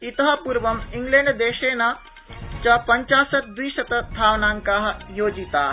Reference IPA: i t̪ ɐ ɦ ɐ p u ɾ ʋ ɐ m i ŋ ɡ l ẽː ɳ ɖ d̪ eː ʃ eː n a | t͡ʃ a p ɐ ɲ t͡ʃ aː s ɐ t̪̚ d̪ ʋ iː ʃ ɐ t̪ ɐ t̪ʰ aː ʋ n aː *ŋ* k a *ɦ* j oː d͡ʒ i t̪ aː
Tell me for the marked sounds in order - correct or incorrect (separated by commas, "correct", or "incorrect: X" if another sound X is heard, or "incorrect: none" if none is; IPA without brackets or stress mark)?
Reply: correct, correct